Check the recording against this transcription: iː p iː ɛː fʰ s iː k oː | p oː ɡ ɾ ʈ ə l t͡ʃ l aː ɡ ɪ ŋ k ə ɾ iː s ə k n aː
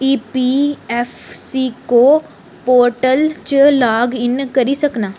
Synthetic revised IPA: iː p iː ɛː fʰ s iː k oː | p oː ɾ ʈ ə l t͡ʃ l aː ɡ ɪ n k ə ɾ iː s ə k n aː